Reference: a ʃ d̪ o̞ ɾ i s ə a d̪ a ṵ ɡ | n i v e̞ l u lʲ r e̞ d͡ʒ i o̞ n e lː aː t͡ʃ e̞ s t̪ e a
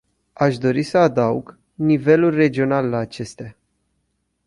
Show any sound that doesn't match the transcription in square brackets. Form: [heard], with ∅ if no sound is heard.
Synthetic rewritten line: a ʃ d̪ o̞ ɾ i s ə a d̪ a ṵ ɡ | n i v e̞ l u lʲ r e̞ d͡ʒ i o̞ n [a] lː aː t͡ʃ e̞ s t̪ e a